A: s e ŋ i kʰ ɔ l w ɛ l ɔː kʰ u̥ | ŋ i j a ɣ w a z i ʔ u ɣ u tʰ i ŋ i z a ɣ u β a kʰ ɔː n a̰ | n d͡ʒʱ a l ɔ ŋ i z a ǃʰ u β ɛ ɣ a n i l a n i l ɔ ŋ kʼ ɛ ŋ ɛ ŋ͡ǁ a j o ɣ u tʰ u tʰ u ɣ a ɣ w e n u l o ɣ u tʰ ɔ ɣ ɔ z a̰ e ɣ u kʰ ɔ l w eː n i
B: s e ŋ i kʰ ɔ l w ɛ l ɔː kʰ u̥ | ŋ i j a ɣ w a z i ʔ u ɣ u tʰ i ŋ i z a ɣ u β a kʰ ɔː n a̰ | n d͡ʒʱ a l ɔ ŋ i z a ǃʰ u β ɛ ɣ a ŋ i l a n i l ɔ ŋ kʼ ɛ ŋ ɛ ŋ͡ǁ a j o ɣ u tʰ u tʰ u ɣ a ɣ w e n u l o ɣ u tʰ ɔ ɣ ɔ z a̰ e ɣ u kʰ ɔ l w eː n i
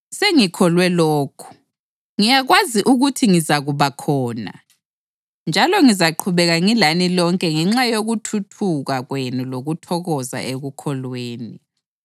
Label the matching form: B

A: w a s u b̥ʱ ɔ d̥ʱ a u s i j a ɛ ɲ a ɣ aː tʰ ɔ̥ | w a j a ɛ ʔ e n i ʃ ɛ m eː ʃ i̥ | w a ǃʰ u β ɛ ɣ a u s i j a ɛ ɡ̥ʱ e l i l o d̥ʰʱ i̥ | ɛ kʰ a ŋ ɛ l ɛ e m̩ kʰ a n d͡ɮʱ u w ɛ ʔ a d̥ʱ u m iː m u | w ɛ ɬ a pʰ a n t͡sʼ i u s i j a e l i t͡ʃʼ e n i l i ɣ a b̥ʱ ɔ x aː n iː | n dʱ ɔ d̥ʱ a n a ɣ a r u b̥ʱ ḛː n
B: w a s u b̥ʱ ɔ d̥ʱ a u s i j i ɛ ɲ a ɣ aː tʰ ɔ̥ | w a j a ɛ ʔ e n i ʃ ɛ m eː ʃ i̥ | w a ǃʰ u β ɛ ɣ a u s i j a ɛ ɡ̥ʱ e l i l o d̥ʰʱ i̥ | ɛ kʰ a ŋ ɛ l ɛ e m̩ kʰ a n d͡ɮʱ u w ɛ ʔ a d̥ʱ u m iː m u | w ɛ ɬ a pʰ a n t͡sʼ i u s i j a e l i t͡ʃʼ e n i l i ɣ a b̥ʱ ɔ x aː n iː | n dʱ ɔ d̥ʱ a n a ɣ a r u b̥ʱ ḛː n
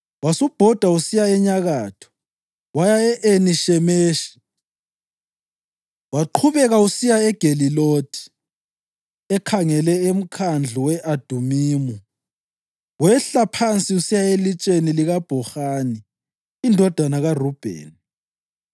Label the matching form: A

